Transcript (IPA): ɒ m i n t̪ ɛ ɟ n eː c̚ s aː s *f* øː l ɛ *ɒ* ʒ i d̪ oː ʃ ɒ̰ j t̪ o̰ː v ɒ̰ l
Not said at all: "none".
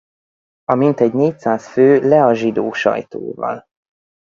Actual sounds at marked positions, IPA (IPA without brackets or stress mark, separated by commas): f, ɒ